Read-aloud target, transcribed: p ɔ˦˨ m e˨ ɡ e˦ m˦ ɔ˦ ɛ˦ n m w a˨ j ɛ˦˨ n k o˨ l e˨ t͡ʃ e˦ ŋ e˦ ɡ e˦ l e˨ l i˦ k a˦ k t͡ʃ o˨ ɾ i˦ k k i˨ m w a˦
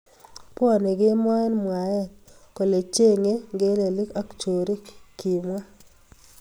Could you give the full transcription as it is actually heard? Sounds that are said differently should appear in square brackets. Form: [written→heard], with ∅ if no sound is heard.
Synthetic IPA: p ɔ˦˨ [m→n] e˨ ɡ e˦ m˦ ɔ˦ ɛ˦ n m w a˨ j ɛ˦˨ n k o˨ l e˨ t͡ʃ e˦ ŋ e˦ ɡ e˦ l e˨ l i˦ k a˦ k t͡ʃ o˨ ɾ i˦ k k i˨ m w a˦